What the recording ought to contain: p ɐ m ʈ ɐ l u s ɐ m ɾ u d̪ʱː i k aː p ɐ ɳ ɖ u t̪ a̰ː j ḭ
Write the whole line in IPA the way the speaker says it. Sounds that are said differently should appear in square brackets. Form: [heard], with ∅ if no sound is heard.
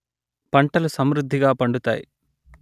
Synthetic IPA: p ɐ [ɳ] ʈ ɐ l u s ɐ m ɾ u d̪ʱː i [ɡ] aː p ɐ ɳ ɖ u t̪ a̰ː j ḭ